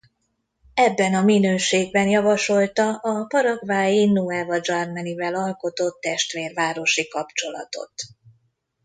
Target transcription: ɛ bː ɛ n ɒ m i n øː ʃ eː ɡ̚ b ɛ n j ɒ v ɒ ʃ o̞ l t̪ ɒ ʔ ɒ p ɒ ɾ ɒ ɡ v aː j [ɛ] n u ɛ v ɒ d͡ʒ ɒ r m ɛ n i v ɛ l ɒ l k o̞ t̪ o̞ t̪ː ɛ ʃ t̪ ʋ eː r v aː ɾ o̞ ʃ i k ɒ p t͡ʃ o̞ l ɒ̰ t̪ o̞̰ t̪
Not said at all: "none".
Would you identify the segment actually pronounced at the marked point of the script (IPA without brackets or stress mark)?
i